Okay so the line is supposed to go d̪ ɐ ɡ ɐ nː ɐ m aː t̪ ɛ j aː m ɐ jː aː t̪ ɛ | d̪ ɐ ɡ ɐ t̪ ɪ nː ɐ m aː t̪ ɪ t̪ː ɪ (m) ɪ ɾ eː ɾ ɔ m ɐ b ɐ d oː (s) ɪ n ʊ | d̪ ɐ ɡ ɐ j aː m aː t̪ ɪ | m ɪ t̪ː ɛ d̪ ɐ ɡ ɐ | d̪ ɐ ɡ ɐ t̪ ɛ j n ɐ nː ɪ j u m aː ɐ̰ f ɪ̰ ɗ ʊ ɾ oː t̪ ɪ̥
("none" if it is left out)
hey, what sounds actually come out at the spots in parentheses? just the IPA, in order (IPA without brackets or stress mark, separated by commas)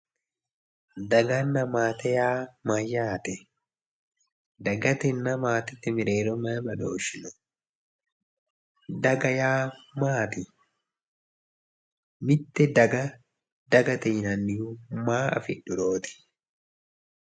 m, ʃ